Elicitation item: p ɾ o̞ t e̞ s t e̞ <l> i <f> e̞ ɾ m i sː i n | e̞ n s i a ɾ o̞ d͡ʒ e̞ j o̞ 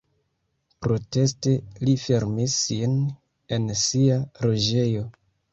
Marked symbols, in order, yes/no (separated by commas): yes, yes